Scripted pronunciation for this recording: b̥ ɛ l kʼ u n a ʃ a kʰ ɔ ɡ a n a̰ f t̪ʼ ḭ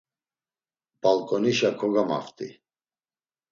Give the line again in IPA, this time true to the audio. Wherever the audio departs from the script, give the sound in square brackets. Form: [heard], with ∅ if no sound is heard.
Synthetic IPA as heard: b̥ [a] l kʼ [ɔ] n [i] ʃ a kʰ ɔ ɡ a [m] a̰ f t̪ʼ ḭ